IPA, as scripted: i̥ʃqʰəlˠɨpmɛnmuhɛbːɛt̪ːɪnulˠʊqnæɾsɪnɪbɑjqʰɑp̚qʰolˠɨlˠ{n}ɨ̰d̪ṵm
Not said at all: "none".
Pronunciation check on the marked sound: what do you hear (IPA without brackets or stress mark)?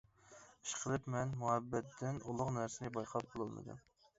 m